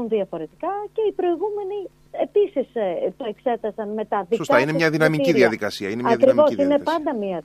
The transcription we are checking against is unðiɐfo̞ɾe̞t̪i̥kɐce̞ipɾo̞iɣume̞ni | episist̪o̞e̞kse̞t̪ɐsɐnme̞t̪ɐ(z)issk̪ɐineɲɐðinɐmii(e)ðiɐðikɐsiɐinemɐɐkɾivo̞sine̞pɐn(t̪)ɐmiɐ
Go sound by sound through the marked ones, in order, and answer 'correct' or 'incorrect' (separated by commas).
incorrect, incorrect, incorrect